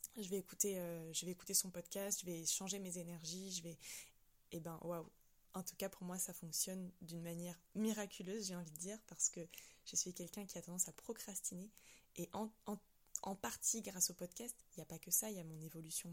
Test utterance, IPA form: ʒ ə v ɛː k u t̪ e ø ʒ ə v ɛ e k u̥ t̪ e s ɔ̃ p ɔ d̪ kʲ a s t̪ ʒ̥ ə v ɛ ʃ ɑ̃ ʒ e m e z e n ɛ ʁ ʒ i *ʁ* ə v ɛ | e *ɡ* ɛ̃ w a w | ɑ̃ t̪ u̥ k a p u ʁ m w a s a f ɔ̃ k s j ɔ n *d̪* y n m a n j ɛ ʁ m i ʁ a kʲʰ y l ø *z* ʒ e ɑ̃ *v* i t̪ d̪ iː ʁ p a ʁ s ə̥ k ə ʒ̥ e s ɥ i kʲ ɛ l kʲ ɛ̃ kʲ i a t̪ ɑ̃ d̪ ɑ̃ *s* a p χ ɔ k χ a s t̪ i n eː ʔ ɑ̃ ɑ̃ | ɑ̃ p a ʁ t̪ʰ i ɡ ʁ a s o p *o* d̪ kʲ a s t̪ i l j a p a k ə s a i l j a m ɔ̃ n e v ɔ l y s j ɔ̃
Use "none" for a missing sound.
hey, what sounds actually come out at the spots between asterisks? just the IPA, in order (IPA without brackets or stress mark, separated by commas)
ʒ, b, d̪, z, v, s, ɔ